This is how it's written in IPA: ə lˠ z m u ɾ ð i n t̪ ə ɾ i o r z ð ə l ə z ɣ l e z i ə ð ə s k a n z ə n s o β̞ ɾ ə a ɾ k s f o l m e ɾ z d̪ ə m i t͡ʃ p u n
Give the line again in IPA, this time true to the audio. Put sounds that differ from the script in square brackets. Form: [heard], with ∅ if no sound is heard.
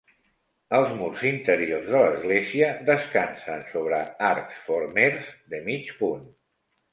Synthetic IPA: ə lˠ z m u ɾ [z] i n t̪ ə ɾ i o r z ð ə l ə z ɣ l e z i ə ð ə s k a n [s] ə n s o β̞ ɾ ə a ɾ k s f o [ɾ] m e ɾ z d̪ ə m i t͡ʃ p u n